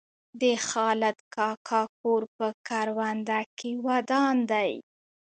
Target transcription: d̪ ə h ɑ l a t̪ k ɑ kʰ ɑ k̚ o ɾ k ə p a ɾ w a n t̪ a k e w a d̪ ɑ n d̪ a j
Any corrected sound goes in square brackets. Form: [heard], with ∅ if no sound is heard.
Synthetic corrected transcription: d̪ ə [x] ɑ l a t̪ k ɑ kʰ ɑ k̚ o ɾ [p] ə [k] a ɾ w a n [d̪] a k e w a d̪ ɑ n d̪ a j